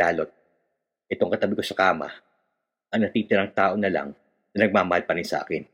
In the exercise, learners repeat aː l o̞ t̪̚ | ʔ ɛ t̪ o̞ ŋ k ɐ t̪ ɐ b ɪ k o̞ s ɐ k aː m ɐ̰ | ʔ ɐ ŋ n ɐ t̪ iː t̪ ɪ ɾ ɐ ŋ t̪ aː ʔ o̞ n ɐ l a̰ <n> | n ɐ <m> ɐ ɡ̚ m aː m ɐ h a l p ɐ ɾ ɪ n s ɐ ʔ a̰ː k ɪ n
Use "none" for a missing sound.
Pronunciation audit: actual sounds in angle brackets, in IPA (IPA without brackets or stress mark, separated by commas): ŋ, n